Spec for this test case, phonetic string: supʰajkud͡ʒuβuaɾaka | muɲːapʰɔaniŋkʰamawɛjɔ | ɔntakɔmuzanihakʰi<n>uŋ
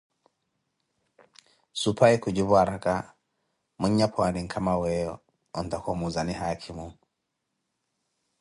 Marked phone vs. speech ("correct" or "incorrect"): incorrect